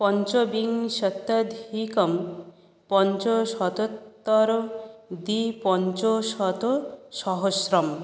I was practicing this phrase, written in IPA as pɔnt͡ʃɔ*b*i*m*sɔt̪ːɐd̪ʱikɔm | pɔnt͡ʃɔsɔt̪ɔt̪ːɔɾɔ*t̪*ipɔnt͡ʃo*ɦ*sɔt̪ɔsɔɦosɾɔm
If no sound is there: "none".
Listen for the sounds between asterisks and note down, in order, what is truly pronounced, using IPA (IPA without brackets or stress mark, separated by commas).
b, ŋ, d̪, none